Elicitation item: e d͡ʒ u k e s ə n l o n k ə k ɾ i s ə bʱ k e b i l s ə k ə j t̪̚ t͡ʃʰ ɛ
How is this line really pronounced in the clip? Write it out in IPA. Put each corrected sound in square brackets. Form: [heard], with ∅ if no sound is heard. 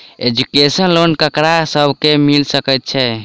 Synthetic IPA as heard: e d͡ʒ u k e s ə n l o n k ə k ɾ [a] s ə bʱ k e [m] i l s ə k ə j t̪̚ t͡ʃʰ ɛ